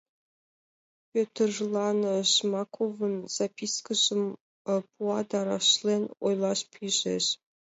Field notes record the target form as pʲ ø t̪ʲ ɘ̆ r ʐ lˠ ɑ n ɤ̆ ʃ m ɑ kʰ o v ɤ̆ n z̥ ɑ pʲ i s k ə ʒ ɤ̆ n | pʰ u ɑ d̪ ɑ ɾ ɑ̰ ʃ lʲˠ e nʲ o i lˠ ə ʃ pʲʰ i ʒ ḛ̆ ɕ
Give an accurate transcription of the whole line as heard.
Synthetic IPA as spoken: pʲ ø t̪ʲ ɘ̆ r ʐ lˠ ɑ n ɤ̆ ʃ m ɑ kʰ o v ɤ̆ n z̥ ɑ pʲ i s k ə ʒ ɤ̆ m | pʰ u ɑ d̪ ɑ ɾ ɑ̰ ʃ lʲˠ e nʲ o j lˠ ɑ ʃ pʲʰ i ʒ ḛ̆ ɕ